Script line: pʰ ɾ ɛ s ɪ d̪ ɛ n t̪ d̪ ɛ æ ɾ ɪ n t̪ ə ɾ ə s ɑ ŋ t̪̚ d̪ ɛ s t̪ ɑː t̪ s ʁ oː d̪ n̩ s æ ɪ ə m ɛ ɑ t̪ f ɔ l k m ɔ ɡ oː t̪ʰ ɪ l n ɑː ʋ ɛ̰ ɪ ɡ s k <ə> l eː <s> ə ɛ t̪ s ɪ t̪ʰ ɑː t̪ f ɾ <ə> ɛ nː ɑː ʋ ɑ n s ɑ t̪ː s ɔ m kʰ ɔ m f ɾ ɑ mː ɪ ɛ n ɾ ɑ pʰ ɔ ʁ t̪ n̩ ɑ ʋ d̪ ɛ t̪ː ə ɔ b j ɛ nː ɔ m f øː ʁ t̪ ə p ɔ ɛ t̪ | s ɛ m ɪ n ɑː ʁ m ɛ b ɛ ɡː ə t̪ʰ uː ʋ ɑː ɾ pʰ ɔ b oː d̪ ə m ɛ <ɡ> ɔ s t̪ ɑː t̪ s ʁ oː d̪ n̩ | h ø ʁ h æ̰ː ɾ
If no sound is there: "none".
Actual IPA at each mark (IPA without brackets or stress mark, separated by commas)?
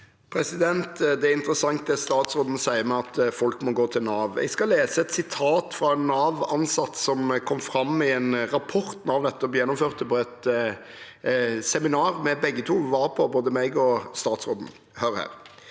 ɑ, s, ɑ, ɡ